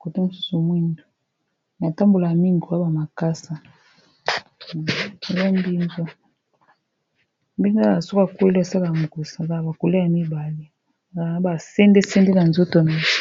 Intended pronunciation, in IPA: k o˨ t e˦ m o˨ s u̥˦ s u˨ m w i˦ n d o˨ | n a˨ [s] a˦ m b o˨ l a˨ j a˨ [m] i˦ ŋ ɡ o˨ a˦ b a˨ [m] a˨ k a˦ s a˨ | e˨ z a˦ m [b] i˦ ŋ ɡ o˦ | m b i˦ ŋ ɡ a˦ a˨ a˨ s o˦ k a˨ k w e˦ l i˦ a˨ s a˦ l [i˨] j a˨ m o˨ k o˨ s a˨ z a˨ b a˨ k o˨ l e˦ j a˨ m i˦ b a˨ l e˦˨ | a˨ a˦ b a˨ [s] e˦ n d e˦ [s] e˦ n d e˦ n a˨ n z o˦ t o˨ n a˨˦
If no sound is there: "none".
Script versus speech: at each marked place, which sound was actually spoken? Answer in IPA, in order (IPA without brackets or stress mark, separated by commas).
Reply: t, m, m, b, a˨, s, s